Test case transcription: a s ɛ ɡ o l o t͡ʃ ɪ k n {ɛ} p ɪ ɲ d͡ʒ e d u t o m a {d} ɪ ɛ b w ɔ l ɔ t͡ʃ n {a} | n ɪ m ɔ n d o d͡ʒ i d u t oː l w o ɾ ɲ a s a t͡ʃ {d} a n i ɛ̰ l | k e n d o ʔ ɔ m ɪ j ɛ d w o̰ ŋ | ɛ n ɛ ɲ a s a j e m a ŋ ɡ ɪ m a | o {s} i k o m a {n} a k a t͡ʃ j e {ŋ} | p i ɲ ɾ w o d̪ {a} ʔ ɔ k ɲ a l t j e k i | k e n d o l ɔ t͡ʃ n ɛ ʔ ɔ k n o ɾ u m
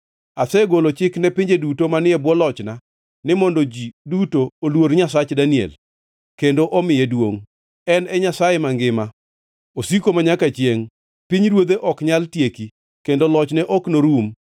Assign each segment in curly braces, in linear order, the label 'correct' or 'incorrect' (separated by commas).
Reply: correct, incorrect, correct, correct, correct, incorrect, correct, incorrect